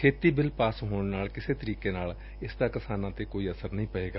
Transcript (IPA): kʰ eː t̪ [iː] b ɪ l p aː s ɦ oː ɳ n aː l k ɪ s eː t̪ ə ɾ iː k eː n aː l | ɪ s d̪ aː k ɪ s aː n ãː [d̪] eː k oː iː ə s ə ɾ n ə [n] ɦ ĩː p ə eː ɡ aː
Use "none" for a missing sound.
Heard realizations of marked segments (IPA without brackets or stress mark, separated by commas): iː, t̪, none